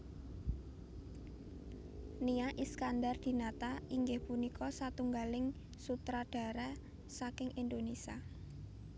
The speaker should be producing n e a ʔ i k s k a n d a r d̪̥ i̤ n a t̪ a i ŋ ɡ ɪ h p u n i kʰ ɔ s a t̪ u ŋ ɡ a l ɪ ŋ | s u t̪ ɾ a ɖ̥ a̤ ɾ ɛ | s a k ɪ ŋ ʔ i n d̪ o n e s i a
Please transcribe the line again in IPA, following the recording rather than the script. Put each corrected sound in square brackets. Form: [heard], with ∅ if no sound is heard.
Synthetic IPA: n [i] a ʔ i [∅] s k a n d a r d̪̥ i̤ n a t̪ a i ŋ ɡ ɪ h p u n i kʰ ɔ s a t̪ u ŋ ɡ a l ɪ ŋ | s u t̪ ɾ a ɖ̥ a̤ ɾ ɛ | s a k ɪ ŋ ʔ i n d̪ o n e s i a

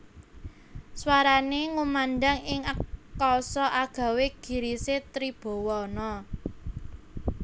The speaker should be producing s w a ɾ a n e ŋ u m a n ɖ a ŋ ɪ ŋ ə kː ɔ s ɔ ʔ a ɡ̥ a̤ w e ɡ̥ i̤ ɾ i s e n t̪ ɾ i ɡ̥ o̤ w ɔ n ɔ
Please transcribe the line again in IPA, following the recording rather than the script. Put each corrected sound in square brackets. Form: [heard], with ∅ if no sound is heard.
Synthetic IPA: s w a ɾ a n e ŋ u m a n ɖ a ŋ ɪ ŋ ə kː ɔ s ɔ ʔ a ɡ̥ a̤ w e ɡ̥ i̤ ɾ i s e [∅] t̪ ɾ i [b̥] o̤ w ɔ n ɔ

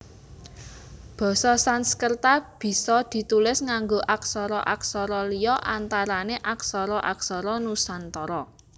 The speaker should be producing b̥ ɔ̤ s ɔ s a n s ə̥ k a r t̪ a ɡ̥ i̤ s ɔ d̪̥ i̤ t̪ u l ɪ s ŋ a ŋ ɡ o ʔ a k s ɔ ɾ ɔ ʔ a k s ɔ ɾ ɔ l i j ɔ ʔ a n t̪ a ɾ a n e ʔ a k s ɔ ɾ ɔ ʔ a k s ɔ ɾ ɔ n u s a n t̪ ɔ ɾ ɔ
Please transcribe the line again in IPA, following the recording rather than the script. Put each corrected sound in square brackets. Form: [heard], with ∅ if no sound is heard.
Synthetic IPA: b̥ ɔ̤ s ɔ s a n s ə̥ k [ə] r t̪ a [b̥] i̤ s ɔ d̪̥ i̤ t̪ u l ɪ s ŋ a ŋ ɡ o ʔ a k s ɔ ɾ ɔ ʔ a k s ɔ ɾ ɔ l i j ɔ ʔ a n t̪ a ɾ a n e ʔ a k s ɔ ɾ ɔ ʔ a k s ɔ ɾ ɔ n u s a n t̪ ɔ ɾ ɔ

